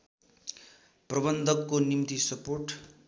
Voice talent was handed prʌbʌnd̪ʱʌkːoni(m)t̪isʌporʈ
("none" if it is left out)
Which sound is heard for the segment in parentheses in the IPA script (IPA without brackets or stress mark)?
m